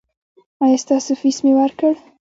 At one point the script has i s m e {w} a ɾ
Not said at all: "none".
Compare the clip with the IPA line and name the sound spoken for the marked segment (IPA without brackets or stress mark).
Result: w